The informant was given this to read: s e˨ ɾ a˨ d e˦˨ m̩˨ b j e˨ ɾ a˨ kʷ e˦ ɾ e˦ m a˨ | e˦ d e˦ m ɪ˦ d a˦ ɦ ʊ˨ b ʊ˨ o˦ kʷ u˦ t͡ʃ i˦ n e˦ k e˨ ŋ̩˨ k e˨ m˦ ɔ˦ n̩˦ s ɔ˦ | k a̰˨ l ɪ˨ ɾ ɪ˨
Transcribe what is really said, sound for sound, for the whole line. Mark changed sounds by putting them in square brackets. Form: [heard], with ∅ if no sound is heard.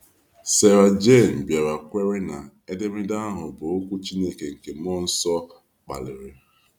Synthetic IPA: s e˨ ɾ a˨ [d͡ʒ] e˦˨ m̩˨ b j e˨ ɾ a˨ kʷ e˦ ɾ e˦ [n] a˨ | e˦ d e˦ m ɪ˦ d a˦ ɦ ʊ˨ b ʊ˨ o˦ kʷ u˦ t͡ʃ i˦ n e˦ k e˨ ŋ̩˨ k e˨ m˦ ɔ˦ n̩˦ s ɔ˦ | [k͡p] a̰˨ l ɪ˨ ɾ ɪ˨